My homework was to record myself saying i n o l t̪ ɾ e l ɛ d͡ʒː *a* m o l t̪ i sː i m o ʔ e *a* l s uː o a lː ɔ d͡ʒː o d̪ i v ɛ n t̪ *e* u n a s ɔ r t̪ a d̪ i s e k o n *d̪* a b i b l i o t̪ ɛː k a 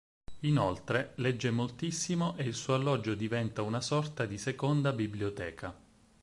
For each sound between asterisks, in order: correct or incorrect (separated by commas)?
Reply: incorrect, incorrect, incorrect, correct